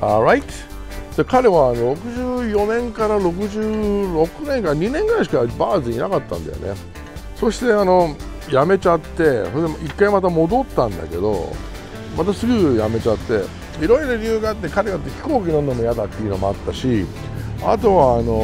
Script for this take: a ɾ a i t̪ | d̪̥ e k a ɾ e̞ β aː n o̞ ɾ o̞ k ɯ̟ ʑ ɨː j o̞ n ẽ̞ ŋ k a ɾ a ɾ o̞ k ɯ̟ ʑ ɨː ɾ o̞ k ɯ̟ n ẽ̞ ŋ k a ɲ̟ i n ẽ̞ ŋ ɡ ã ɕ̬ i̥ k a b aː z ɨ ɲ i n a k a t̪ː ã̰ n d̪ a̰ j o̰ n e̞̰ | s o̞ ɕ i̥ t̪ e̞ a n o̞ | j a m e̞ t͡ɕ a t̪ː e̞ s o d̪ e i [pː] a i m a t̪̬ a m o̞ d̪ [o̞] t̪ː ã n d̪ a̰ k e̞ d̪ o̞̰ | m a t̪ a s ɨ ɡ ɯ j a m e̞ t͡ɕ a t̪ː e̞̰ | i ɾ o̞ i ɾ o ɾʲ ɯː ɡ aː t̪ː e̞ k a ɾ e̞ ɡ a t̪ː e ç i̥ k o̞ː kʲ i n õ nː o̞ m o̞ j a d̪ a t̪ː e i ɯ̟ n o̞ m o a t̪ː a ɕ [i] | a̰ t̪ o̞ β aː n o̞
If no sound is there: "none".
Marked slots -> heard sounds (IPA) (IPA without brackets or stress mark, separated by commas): kː, o̞, i